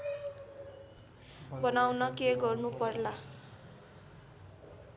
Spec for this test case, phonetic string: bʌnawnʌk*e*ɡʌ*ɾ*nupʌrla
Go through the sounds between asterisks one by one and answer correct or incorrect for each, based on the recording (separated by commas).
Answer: correct, incorrect